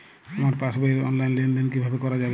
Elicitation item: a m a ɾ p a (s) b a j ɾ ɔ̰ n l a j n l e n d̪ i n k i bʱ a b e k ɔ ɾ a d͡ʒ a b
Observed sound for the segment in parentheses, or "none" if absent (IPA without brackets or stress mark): s